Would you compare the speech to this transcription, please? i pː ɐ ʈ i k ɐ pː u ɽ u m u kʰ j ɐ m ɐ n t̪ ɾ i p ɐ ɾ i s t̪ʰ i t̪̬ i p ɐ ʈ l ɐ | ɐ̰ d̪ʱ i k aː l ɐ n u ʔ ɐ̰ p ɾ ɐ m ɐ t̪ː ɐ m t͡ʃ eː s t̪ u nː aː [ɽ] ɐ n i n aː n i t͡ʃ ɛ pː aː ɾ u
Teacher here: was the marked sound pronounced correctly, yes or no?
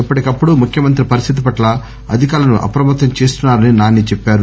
no